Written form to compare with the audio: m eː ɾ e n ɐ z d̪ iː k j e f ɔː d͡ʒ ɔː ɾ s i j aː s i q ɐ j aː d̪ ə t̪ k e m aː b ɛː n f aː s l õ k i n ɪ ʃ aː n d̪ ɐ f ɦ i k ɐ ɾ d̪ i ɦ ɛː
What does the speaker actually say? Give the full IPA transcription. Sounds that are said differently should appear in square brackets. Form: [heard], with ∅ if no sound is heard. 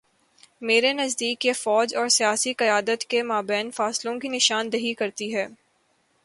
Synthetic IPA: m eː ɾ e n ɐ z d̪ iː k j e f ɔː d͡ʒ ɔː ɾ s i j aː s i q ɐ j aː d̪ ə t̪ k e m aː b ɛː n f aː s l õ k i n ɪ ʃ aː n d̪ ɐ [∅] ɦ i k ɐ ɾ [t̪] i ɦ ɛː